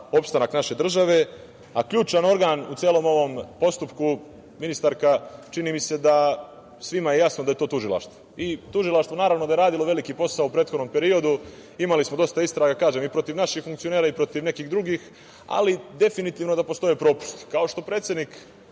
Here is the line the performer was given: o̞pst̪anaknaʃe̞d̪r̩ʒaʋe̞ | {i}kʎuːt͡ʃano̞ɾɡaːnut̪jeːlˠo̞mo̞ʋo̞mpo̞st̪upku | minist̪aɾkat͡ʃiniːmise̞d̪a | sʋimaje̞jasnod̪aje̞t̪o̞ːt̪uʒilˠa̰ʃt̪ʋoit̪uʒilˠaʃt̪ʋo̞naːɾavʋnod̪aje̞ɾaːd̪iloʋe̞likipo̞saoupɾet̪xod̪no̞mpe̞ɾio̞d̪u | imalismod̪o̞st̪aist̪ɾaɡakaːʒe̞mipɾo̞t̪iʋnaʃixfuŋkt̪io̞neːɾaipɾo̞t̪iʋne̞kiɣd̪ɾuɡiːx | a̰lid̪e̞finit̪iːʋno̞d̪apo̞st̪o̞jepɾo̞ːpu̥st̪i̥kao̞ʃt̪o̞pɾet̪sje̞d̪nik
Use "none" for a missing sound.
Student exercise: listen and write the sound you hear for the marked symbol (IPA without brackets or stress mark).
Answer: a